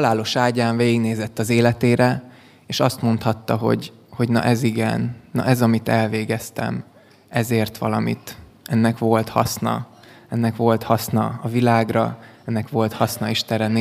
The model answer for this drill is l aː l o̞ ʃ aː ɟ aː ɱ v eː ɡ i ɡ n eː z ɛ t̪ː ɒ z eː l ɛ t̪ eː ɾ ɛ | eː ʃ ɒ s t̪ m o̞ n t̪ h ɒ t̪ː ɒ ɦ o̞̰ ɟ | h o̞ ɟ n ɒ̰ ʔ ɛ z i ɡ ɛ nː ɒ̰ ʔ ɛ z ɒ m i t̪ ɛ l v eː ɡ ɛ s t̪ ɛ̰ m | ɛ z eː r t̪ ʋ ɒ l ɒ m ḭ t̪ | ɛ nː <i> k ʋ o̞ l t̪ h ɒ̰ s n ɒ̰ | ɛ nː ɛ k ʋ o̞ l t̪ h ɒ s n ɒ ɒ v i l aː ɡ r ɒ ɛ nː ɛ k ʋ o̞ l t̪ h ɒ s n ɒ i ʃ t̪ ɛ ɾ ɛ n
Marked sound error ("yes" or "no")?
yes